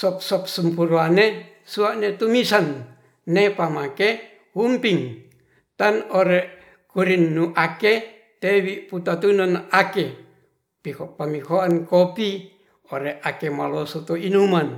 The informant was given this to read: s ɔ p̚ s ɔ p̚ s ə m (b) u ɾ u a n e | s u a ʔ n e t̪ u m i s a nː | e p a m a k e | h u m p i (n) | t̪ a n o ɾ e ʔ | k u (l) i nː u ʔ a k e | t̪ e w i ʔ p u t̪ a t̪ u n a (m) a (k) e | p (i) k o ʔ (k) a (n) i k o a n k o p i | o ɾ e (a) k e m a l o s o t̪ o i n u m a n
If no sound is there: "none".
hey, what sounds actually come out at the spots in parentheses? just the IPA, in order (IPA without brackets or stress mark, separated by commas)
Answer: p, ŋ, ɾ, n, k, i, p, m, a